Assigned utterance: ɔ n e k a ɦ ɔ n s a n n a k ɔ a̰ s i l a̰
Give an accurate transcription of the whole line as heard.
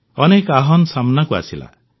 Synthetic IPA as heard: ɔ n e k a ɦ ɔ n s a m n a k u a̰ s i l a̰

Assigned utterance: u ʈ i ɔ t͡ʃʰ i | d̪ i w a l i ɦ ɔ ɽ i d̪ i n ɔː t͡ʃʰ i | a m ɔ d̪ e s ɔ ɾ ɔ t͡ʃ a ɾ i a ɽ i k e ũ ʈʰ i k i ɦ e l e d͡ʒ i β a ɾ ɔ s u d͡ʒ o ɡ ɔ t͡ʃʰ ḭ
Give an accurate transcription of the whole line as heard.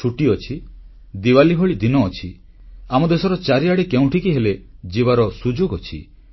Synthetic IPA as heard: u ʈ i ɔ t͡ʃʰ i | d̪ i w a l i ɦ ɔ ɭ i d̪ i n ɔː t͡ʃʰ i | a m ɔ d̪ e s ɔ ɾ ɔ t͡ʃ a ɾ i a ɽ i k e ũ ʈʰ i k i ɦ e l e d͡ʒ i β a ɾ ɔ s u d͡ʒ o ɡ ɔ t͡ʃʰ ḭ

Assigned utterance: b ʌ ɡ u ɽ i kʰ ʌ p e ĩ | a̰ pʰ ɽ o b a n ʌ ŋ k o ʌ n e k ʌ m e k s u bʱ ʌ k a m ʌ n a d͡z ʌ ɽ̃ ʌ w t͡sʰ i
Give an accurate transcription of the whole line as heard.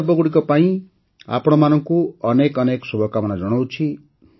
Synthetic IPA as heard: b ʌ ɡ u ɽ i k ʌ p a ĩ | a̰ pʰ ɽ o m a n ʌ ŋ k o ʌ n e k ʌ n e k s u bʱ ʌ k a m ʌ n a d͡z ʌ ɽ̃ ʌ w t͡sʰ i

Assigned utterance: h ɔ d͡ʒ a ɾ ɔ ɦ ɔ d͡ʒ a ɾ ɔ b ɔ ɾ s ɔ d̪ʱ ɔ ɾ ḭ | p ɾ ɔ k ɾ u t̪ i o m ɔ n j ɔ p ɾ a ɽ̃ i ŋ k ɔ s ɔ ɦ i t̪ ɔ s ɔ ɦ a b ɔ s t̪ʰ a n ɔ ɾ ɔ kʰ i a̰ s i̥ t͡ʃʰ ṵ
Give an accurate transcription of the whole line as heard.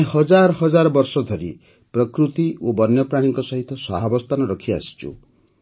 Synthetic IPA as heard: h ɔ d͡ʒ a ɾ ɔ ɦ ɔ d͡ʒ a ɾ ɔ b ɔ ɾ s ɔ d̪ʱ ɔ ɾ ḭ | p ɾ ɔ k ɾ u t̪ i o b ɔ n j ɔ p ɾ a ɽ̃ i ŋ k ɔ s ɔ ɦ i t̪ ɔ s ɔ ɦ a b ɔ s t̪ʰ a n ɔ ɾ ɔ kʰ i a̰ s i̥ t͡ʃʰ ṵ

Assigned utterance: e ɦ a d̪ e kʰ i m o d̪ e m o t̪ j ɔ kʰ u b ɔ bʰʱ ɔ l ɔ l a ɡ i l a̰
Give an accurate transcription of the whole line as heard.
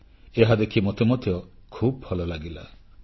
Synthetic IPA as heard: e ɦ a d̪ e kʰ i m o t̪ e m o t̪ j ɔ kʰ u b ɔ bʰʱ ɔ l ɔ l a ɡ i l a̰

